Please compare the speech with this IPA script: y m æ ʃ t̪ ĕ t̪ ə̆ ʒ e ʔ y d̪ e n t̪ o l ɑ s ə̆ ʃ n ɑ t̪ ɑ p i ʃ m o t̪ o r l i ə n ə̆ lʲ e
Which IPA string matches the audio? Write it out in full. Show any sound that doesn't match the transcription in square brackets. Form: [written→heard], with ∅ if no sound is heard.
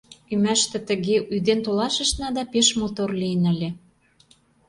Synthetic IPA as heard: y m æ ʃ t̪ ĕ t̪ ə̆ [ʒ→ɣ] e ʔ y d̪ e n t̪ o l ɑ [s→ʃ] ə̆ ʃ n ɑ [t̪→d̪] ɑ p [i→e] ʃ m o t̪ o r l i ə n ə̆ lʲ e